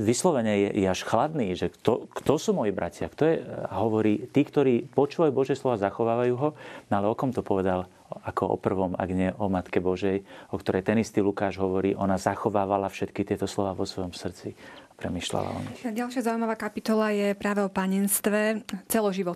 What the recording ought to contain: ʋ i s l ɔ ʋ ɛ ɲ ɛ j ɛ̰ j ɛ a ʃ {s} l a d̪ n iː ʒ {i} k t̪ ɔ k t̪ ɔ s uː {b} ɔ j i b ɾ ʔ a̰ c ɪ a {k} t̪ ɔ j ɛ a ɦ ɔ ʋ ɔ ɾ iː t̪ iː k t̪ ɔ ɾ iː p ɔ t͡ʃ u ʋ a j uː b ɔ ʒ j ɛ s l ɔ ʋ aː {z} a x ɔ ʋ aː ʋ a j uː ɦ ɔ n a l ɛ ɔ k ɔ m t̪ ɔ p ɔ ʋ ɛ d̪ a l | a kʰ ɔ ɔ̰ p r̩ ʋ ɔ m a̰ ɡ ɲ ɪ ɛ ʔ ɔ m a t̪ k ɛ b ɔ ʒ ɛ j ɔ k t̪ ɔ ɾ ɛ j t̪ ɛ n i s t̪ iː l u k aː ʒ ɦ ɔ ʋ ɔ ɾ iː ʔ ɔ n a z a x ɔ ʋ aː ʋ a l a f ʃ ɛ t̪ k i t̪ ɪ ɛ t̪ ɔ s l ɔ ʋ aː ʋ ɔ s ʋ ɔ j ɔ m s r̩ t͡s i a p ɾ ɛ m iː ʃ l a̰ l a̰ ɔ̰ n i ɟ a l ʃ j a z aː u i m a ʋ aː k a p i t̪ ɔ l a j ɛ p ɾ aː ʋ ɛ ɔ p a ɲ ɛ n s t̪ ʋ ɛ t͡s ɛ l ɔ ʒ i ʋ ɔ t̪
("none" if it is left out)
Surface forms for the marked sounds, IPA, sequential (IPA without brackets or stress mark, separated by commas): x, ɛ, m, k, z